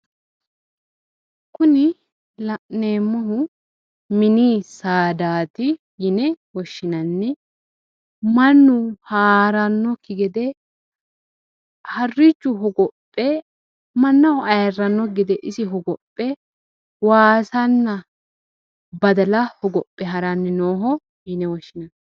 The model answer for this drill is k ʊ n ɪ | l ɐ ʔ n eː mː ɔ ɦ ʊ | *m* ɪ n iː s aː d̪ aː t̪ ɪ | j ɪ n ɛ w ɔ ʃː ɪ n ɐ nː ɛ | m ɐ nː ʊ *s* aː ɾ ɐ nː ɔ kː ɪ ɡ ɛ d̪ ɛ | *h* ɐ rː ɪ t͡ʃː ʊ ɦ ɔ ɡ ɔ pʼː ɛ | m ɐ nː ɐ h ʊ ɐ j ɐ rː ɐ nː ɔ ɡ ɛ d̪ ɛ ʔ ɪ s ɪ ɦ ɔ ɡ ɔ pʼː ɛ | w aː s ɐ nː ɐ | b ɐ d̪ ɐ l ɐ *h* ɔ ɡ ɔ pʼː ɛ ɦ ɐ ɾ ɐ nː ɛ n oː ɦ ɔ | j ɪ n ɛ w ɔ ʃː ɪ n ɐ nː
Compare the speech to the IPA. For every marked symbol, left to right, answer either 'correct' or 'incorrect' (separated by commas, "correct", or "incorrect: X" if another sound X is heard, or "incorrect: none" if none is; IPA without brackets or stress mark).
correct, incorrect: h, correct, correct